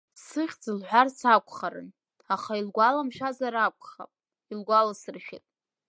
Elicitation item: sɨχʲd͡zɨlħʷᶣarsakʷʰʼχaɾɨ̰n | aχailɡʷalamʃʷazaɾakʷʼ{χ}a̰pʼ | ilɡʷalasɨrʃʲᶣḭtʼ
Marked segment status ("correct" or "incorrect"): correct